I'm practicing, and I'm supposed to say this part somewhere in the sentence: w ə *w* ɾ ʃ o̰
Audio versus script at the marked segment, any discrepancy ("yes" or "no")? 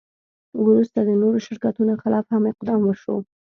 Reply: yes